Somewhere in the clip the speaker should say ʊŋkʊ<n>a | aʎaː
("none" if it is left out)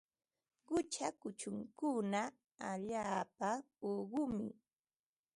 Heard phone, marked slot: n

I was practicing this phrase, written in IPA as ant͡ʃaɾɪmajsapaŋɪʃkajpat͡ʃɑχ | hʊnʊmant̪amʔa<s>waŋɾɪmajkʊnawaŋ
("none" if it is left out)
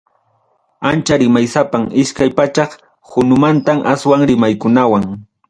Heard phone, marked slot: s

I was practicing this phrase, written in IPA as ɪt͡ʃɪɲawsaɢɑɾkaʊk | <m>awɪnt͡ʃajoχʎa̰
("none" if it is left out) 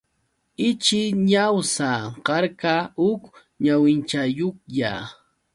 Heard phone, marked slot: ɲ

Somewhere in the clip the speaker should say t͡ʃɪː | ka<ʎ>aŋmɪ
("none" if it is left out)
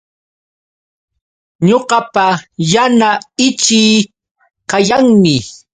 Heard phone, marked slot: j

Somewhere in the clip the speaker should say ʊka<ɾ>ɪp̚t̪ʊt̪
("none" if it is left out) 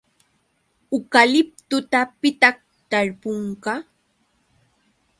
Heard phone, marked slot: l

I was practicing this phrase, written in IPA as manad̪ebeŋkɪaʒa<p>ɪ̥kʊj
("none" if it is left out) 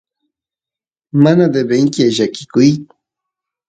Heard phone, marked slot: k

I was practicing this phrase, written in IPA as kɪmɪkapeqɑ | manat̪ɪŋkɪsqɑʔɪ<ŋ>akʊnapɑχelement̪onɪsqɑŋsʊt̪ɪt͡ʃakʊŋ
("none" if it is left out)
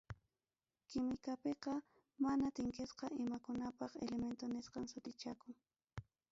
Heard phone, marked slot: m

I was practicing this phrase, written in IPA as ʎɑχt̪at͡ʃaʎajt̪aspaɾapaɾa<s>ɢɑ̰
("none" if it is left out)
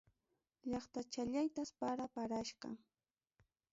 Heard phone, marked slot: ʃ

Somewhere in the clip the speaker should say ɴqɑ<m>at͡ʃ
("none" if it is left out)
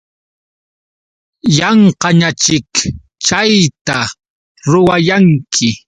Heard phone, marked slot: ɲ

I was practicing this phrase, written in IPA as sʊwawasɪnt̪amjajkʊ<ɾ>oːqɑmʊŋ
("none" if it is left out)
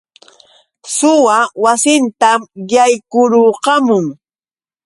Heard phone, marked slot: ɾ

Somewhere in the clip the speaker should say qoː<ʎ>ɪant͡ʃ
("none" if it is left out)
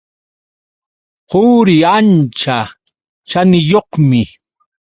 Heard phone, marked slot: ɾ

